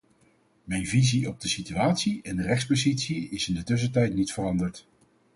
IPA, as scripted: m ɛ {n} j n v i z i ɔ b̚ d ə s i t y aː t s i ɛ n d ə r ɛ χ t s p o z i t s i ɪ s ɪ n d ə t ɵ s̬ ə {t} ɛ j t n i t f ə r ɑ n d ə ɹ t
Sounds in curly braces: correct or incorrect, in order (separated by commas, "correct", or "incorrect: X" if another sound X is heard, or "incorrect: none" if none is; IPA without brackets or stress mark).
incorrect: none, correct